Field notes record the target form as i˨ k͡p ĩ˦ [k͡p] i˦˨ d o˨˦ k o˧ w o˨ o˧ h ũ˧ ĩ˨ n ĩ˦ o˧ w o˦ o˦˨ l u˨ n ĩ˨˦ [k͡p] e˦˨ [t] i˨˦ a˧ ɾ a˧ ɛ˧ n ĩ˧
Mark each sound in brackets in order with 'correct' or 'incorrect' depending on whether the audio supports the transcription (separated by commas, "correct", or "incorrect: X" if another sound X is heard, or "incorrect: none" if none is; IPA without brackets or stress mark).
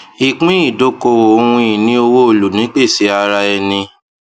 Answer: incorrect: none, correct, incorrect: s